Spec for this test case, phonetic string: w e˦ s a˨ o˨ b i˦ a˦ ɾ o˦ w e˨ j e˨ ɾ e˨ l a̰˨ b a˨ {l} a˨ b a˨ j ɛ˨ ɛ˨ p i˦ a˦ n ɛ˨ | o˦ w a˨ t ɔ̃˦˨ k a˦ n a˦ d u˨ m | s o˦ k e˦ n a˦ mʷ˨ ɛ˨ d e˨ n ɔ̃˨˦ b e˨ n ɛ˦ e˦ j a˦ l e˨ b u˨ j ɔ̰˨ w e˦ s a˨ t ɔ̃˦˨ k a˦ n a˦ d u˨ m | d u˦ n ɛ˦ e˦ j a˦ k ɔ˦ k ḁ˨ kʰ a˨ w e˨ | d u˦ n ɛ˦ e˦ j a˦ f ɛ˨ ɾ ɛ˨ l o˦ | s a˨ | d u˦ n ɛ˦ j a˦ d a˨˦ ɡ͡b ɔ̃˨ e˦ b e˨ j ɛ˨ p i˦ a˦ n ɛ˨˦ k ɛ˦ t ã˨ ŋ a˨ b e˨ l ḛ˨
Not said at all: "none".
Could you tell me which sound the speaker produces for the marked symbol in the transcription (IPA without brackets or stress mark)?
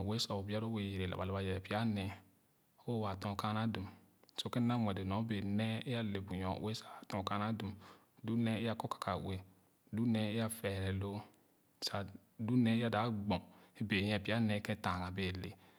l